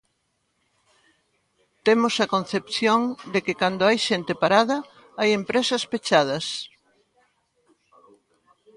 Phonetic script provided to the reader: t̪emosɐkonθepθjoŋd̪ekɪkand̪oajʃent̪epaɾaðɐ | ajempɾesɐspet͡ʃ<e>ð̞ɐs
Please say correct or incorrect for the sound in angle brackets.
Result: incorrect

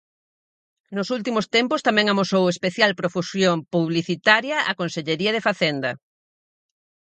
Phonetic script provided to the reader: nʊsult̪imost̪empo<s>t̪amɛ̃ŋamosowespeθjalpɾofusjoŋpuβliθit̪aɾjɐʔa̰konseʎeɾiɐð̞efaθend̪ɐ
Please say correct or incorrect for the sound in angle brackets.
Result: correct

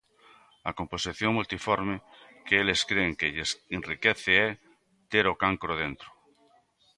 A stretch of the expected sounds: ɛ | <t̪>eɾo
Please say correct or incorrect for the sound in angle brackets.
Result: correct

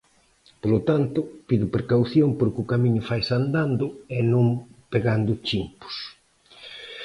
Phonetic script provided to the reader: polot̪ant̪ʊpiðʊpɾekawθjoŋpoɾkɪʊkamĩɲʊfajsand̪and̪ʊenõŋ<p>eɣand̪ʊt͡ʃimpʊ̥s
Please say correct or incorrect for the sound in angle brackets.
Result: correct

